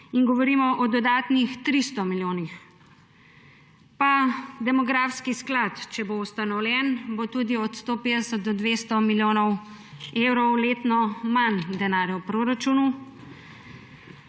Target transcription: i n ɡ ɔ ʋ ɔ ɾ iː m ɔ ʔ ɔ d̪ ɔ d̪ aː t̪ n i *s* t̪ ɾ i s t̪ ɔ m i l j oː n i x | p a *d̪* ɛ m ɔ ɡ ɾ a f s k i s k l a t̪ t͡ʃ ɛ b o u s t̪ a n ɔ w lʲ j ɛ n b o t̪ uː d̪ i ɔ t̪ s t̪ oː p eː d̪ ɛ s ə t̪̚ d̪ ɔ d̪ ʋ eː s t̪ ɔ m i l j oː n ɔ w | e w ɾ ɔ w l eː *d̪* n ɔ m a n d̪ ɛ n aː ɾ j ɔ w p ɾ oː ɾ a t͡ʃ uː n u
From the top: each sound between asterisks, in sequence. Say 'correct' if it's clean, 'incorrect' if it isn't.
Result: incorrect: x, correct, incorrect: t̪

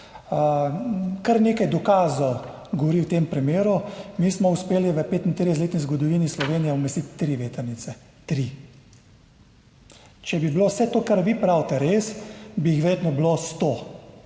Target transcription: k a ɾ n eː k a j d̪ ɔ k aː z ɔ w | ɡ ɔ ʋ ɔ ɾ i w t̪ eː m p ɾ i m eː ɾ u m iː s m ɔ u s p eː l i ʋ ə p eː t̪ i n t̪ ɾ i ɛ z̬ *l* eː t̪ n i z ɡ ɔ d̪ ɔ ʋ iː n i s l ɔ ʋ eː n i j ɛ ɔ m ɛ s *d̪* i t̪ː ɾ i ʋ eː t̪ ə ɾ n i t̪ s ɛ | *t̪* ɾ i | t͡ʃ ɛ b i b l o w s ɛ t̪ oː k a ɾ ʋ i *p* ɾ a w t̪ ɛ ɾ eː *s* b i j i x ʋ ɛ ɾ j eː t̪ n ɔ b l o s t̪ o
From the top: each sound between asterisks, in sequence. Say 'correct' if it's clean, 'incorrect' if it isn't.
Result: correct, incorrect: t̪, correct, correct, correct

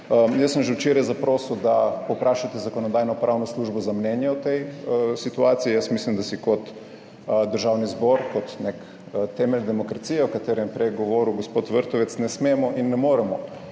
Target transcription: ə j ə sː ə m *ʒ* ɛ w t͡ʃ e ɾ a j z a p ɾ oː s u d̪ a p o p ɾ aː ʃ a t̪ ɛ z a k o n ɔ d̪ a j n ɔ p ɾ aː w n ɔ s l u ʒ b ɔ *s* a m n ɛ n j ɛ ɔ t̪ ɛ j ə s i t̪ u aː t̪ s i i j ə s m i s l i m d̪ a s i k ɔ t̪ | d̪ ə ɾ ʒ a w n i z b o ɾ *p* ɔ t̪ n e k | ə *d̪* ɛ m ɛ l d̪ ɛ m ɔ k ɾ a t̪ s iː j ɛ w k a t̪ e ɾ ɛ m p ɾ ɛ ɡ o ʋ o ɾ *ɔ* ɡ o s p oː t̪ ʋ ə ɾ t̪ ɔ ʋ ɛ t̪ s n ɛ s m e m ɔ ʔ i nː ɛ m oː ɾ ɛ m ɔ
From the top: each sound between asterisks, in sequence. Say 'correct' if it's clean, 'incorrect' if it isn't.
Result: correct, incorrect: z, incorrect: k, incorrect: t̪, incorrect: u

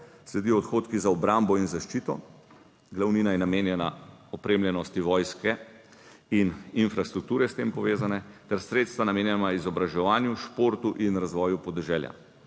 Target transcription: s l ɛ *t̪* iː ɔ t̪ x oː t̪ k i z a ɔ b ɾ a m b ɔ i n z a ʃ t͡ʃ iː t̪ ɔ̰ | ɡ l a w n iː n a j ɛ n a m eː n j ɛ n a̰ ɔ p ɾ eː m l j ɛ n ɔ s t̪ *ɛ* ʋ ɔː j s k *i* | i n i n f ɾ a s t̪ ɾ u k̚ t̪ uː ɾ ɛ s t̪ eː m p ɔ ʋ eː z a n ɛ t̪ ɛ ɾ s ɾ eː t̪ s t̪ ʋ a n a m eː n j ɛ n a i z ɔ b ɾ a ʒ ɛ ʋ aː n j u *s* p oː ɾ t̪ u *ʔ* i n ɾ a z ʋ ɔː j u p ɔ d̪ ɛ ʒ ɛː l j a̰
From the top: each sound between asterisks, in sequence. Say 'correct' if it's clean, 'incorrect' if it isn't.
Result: incorrect: d̪, incorrect: i, incorrect: ɛ, incorrect: ʃ, correct

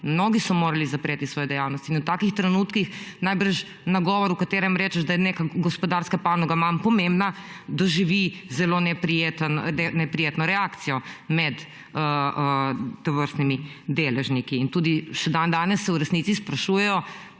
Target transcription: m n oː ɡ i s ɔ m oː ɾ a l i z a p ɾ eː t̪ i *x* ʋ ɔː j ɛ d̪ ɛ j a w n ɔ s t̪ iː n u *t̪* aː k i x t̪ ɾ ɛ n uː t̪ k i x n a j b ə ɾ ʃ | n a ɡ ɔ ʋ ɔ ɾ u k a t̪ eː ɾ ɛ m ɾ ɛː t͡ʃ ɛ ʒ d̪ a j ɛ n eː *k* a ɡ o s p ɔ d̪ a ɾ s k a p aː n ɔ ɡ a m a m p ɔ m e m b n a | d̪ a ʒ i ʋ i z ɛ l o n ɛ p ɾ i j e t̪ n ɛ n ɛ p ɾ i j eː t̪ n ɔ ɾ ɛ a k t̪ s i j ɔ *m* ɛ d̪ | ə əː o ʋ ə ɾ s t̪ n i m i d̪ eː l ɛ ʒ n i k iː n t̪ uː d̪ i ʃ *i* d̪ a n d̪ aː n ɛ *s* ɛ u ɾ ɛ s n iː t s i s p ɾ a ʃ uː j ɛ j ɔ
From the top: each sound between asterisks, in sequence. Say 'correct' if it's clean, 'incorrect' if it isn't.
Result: incorrect: s, correct, correct, correct, incorrect: ɛ, incorrect: sː

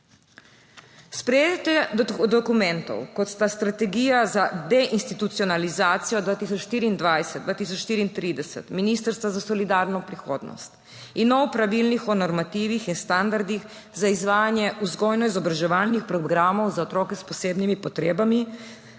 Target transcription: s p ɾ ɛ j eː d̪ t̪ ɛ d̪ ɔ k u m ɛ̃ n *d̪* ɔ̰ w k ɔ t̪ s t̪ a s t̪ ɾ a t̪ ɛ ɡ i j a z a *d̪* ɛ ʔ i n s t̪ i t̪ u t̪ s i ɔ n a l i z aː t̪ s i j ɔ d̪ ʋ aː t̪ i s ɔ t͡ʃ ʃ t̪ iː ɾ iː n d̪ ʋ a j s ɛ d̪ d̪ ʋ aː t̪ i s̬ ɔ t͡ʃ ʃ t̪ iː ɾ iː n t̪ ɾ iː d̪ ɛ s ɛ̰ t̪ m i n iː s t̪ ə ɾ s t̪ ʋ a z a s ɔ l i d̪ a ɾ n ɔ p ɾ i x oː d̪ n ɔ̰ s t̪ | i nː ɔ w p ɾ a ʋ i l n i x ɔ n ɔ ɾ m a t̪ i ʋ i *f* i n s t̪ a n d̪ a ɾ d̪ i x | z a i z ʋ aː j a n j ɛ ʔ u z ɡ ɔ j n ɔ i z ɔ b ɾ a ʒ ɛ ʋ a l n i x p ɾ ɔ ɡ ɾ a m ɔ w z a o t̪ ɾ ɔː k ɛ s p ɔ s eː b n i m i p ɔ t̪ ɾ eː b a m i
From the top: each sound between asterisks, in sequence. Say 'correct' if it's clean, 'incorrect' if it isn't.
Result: incorrect: t̪, correct, incorrect: x

